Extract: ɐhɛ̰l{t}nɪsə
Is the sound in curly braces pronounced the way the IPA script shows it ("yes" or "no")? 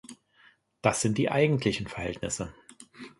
yes